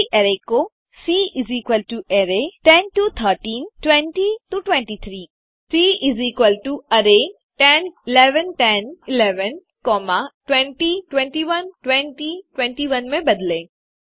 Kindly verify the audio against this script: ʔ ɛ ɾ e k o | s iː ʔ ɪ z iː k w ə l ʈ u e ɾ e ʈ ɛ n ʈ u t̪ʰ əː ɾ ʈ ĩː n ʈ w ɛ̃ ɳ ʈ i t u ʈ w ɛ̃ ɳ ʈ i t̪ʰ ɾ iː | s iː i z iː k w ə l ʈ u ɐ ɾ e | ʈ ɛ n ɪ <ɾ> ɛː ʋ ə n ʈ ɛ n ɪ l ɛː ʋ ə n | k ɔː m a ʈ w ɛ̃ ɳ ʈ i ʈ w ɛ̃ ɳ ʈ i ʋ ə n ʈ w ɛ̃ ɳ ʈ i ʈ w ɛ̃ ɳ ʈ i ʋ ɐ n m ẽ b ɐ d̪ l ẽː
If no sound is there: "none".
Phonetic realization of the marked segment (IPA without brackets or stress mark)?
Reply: l